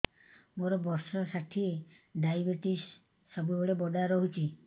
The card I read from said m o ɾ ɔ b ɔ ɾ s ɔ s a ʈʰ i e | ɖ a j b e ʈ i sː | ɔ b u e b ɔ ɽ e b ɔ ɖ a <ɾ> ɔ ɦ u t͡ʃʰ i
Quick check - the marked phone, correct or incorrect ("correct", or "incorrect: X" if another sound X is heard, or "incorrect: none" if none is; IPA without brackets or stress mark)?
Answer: correct